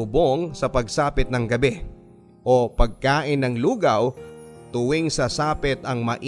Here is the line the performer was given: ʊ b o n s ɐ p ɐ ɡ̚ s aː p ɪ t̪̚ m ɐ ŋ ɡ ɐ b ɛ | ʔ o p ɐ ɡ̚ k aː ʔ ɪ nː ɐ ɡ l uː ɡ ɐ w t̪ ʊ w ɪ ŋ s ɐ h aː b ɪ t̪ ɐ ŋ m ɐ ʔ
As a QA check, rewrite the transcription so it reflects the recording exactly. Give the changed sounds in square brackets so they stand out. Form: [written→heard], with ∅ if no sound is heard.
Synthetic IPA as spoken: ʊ b o [n→ŋ] s ɐ p ɐ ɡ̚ s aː p ɪ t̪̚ [m→n] ɐ ŋ ɡ ɐ b ɛ | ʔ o p ɐ ɡ̚ k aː ʔ ɪ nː ɐ [ɡ→ŋ] l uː ɡ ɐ w t̪ ʊ w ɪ ŋ s ɐ [h→s] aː [b→p] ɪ t̪ ɐ ŋ m ɐ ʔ